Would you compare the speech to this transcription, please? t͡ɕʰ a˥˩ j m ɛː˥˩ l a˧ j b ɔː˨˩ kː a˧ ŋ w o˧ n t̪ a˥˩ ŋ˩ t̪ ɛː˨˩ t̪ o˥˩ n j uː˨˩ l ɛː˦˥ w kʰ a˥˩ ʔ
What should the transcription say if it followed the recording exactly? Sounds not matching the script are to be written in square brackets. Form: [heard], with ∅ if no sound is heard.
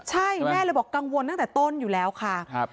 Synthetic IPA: t͡ɕʰ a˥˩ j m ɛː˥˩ l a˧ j b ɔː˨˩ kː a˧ ŋ w o˧ n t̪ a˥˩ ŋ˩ t̪ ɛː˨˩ t̪ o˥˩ n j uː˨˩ l ɛː˦˥ w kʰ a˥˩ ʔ